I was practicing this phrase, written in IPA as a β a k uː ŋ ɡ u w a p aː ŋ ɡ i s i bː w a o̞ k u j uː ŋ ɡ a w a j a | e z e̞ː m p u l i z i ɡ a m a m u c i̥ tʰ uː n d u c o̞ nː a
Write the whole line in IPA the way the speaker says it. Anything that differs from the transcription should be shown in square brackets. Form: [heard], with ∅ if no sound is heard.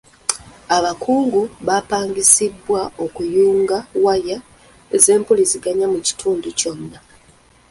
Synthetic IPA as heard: a β a k uː ŋ ɡ u [β] a p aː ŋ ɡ i s i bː w a o̞ k u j uː ŋ ɡ a w a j a | e z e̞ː m p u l i z i ɡ a [ɲ] a m u c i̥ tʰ uː n d u c o̞ nː a